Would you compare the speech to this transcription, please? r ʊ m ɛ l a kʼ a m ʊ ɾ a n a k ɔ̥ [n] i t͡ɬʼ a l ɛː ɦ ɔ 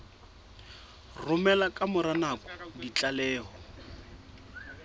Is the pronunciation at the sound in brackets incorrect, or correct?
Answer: incorrect